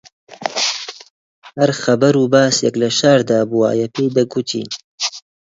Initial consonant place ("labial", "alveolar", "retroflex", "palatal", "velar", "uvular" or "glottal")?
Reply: glottal